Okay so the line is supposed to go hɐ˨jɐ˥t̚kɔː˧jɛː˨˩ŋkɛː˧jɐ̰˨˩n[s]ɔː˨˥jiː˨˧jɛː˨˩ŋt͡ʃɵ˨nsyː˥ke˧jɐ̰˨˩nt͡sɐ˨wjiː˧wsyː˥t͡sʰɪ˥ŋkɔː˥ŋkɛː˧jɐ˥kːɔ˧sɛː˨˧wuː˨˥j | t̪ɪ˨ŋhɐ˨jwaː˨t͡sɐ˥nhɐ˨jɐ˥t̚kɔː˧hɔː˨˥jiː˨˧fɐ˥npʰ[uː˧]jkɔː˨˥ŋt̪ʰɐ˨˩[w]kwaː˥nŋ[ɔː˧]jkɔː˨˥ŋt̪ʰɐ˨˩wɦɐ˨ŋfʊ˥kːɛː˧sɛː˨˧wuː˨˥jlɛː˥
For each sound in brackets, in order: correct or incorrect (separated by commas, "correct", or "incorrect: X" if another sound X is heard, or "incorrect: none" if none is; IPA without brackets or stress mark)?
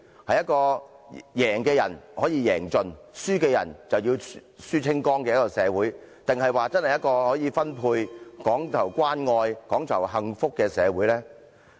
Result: incorrect: h, correct, correct, correct